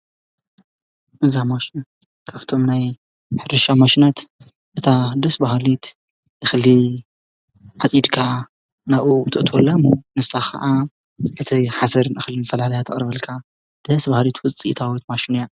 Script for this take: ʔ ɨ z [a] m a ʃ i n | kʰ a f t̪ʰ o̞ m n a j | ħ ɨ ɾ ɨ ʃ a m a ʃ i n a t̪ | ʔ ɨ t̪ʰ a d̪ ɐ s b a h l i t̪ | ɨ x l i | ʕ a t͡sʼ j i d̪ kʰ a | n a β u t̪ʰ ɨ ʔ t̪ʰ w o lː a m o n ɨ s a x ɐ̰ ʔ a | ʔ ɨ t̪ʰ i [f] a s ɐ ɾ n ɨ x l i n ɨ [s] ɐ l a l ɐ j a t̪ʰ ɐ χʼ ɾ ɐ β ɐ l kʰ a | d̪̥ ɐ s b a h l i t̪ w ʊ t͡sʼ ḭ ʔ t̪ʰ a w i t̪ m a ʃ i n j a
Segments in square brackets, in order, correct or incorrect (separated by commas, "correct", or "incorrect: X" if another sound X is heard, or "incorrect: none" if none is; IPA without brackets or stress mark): correct, incorrect: ħ, incorrect: f